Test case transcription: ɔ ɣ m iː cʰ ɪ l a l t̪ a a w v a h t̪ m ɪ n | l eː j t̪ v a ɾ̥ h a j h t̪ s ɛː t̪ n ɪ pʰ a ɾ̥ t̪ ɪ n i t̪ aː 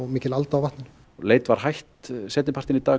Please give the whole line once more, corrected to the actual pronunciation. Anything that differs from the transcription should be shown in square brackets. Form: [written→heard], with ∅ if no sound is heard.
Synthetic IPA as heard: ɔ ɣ m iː [cʰ→c] ɪ l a l t̪ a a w v a h t̪ [m→n] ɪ n | l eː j t̪ v a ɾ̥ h a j h t̪ s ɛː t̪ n ɪ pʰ a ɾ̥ t̪ ɪ n i t̪ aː